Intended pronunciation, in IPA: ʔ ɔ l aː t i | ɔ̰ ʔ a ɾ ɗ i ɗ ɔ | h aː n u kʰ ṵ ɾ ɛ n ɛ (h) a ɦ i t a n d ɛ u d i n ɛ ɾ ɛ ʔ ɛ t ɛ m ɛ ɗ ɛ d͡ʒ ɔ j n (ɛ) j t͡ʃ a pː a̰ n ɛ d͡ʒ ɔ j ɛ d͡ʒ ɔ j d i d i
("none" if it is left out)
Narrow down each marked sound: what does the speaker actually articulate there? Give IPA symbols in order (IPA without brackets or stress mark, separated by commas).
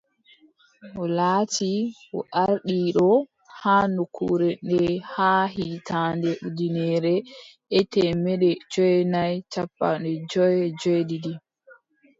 h, a